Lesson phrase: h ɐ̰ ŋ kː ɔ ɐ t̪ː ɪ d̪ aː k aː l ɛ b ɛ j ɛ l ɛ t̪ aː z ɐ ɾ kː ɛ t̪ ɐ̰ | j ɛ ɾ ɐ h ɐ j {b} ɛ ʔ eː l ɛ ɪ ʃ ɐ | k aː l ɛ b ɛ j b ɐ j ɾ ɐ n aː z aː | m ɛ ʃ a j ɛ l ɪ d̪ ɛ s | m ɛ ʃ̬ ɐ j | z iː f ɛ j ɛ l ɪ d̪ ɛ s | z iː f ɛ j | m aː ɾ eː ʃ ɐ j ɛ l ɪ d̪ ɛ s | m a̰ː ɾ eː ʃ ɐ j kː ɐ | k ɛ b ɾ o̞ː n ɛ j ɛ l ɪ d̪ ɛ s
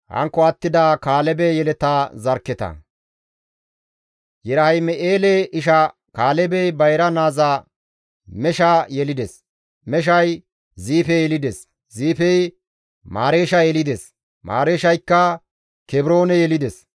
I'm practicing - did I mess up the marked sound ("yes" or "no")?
yes